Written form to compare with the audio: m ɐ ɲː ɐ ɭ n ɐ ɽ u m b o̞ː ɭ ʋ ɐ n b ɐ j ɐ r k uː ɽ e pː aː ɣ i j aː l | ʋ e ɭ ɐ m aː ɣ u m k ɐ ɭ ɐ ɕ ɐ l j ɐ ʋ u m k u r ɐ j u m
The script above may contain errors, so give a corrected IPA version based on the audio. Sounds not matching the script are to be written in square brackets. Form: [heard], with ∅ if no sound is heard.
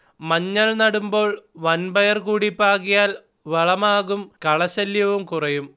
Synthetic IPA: m ɐ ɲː ɐ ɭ n ɐ ɽ u m b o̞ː ɭ ʋ ɐ n b ɐ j ɐ r k uː ɽ [i] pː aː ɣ i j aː l | ʋ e ɭ ɐ m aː ɣ u m k ɐ ɭ ɐ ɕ ɐ l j ɐ ʋ u m k u r ɐ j u m